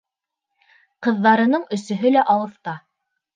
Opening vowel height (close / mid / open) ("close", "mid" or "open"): mid